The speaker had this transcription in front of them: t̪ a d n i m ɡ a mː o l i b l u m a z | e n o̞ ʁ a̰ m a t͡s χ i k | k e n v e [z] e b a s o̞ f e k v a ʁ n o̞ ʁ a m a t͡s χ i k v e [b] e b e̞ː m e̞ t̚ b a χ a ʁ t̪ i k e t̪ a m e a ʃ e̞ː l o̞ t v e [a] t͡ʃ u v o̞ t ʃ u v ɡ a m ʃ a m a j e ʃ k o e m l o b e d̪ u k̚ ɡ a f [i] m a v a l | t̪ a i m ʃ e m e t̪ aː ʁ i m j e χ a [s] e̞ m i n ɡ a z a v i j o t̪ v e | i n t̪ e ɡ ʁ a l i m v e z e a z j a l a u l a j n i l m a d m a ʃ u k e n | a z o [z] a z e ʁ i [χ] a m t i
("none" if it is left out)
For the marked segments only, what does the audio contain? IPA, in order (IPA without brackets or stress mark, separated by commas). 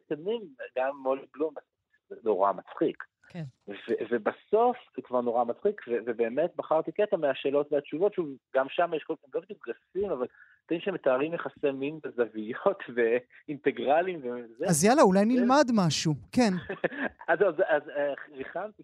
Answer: v, v, a, i, s, z, χ